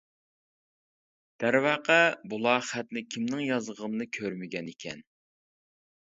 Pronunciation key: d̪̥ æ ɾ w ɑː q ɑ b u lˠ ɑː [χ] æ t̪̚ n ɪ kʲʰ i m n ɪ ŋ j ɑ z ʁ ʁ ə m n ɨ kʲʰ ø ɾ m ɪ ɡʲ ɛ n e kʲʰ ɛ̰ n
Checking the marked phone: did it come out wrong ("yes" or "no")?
no